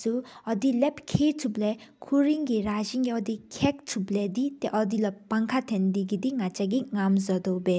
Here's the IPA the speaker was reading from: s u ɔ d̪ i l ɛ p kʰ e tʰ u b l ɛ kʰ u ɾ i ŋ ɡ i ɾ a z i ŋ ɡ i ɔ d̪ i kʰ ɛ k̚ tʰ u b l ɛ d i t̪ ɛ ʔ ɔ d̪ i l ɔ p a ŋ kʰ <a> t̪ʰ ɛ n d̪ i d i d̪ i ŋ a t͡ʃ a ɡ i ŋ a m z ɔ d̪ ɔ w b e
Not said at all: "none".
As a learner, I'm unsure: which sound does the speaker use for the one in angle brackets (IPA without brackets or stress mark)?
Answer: a